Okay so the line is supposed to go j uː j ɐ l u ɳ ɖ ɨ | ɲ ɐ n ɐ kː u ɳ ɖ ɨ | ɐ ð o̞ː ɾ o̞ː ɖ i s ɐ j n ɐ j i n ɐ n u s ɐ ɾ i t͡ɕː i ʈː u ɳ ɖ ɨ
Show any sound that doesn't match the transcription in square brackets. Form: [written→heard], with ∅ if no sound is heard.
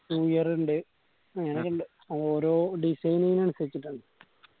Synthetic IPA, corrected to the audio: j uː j ɐ [l→r] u ɳ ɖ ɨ | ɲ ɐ n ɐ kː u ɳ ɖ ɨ | ɐ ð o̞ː ɾ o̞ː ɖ i s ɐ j n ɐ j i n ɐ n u s ɐ ɾ i t͡ɕː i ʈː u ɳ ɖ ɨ

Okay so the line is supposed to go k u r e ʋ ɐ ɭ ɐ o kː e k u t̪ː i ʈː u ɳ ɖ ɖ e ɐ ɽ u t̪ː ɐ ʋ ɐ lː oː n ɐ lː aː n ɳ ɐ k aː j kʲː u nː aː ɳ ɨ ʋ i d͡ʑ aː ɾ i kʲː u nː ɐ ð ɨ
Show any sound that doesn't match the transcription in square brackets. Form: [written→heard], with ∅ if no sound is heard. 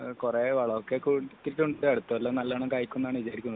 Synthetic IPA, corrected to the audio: k u r e ʋ ɐ ɭ ɐ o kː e k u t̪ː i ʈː u ɳ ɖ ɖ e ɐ ɽ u t̪ː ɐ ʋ ɐ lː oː n ɐ lː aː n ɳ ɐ k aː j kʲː u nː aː ɳ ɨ ʋ i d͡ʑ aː ɾ i kʲː u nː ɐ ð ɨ

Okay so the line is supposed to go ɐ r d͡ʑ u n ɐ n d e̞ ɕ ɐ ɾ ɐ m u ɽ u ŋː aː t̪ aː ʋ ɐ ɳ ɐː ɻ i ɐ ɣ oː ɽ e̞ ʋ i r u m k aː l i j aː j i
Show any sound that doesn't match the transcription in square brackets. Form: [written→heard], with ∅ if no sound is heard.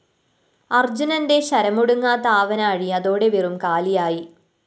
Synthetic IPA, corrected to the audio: ɐ r d͡ʑ u n ɐ n d e̞ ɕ ɐ ɾ ɐ m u ɽ u ŋː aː t̪ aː ʋ ɐ [ɳ→n] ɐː ɻ i ɐ [ɣ→ð] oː ɽ e̞ ʋ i r u m k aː l i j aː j i

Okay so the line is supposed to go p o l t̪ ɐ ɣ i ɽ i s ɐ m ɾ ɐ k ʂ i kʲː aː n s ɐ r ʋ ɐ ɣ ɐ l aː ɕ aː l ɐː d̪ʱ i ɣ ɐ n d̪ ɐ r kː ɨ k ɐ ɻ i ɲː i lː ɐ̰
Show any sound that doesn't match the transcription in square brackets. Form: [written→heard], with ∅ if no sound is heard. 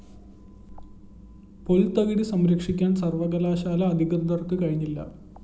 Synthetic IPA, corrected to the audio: p o l t̪ ɐ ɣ i ɽ i s ɐ m ɾ ɐ k ʂ i kʲː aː n s ɐ r ʋ ɐ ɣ ɐ l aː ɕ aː l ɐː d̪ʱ i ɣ ɐ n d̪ ɐ r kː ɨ k ɐ ɻ i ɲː i lː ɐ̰

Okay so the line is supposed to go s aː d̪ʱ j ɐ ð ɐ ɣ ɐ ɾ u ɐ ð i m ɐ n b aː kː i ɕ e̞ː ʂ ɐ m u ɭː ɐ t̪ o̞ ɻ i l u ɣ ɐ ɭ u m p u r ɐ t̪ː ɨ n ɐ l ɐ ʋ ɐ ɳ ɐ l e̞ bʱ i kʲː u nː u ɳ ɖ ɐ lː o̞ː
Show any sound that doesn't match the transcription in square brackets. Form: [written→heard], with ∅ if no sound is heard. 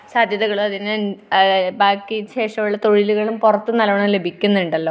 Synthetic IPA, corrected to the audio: s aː d̪ʱ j ɐ ð ɐ ɣ ɐ [ɾ→ɭ] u ɐ ð i [m→n] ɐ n b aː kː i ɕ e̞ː ʂ ɐ m u ɭː ɐ t̪ o̞ ɻ i l u ɣ ɐ ɭ u m p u r ɐ t̪ː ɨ n ɐ l ɐ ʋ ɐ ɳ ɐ l e̞ bʱ i kʲː u nː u ɳ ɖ ɐ lː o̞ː

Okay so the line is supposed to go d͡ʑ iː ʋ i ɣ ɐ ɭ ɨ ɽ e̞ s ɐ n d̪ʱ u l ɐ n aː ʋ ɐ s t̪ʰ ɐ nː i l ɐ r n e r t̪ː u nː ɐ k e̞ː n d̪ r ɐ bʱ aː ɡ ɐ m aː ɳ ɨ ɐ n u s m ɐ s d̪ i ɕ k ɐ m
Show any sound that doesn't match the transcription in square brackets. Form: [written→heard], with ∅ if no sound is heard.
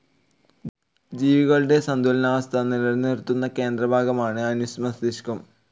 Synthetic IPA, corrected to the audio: d͡ʑ iː ʋ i ɣ ɐ ɭ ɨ ɽ e̞ s ɐ n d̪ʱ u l ɐ n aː ʋ ɐ s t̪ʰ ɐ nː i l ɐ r n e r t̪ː u nː ɐ k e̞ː n d̪ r ɐ bʱ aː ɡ ɐ m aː ɳ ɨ ɐ n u s m ɐ s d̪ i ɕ k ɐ m

